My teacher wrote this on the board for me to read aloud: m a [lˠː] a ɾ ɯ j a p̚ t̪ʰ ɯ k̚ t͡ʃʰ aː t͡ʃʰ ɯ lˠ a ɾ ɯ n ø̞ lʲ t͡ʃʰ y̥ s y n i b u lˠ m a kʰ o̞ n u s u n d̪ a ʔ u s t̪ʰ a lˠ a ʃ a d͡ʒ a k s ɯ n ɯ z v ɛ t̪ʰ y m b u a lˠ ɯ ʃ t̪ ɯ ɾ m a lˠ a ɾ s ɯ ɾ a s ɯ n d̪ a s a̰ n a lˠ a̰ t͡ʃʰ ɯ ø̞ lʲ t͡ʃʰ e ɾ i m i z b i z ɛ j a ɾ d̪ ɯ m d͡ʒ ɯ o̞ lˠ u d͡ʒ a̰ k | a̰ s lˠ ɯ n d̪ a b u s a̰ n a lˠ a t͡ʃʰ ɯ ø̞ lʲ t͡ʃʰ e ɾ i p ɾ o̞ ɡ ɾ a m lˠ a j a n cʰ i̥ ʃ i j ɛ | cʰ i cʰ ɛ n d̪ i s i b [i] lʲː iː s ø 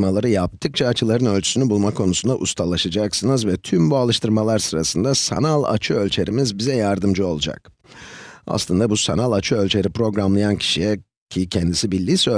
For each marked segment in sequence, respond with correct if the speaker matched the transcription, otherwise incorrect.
incorrect: lˠ, correct

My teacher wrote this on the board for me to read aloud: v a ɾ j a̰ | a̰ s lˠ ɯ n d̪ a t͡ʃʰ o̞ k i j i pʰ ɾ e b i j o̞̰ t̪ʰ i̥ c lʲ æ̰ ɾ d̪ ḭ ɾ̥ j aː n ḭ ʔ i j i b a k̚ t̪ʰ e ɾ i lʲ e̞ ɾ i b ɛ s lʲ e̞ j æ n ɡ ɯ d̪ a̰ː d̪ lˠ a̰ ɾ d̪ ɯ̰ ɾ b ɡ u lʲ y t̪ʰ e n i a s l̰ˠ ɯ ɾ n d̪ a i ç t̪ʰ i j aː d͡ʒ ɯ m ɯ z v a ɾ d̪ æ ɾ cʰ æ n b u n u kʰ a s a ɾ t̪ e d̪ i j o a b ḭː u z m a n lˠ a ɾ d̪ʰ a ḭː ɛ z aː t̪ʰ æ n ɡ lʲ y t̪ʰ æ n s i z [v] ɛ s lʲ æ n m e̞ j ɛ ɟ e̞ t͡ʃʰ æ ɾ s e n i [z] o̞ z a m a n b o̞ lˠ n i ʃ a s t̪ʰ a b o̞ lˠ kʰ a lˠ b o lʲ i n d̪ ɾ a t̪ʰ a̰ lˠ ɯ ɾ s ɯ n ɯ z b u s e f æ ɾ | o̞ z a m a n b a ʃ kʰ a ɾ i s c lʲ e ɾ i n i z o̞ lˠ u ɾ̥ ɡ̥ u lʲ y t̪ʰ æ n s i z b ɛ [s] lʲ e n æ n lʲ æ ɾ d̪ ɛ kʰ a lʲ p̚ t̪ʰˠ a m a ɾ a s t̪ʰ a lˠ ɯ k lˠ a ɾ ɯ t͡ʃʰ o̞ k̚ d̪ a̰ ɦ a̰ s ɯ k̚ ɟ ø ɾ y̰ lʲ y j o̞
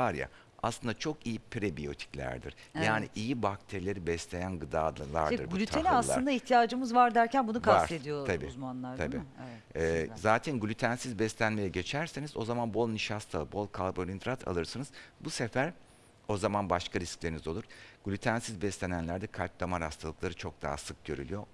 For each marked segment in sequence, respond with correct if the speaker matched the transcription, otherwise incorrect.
incorrect: b, correct, correct

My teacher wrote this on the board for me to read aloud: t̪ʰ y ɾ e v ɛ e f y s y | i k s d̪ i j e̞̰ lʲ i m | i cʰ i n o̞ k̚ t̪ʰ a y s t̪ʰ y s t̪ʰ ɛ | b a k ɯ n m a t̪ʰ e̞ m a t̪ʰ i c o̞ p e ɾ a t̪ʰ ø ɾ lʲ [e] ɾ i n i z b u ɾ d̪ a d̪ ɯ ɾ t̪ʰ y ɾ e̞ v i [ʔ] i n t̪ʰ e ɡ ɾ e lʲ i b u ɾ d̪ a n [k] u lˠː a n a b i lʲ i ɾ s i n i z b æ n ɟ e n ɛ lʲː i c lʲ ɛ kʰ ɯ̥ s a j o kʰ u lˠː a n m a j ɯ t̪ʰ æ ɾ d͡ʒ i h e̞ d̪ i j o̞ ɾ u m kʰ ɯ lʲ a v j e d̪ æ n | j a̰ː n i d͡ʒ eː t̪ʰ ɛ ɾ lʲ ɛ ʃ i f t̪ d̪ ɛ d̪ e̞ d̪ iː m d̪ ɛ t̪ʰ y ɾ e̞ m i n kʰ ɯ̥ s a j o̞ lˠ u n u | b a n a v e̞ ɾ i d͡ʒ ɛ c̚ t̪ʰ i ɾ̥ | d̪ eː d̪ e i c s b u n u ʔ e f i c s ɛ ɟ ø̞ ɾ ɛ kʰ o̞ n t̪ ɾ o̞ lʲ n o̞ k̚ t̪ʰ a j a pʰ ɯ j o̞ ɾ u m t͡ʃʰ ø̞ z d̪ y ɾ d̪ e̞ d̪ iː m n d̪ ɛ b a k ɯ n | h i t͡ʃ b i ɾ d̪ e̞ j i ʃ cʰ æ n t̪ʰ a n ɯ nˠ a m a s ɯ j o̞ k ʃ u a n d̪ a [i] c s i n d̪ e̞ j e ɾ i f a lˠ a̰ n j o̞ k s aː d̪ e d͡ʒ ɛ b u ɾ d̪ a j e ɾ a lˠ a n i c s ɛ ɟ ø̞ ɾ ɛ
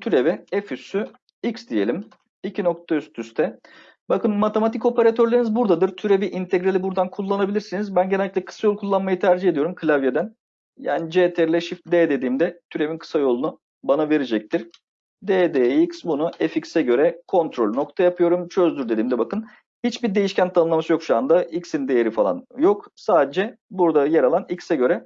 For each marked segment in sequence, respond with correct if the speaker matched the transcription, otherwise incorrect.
correct, correct, incorrect: kʰ, correct

